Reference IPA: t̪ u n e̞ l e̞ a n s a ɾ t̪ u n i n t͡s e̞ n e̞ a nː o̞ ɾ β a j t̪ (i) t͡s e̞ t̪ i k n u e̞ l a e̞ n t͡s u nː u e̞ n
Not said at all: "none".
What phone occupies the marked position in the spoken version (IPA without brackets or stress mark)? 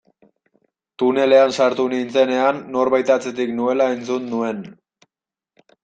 a